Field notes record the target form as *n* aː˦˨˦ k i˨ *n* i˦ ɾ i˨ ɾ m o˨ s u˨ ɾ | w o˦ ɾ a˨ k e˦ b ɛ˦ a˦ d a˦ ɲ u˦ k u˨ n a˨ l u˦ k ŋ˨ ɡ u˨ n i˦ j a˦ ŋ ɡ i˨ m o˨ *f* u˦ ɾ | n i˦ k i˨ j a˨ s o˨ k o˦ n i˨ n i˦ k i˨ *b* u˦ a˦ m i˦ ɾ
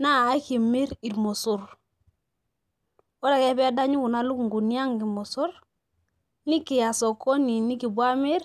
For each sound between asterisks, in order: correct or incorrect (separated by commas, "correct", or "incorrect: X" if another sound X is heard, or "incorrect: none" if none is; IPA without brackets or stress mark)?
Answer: correct, incorrect: m, incorrect: s, correct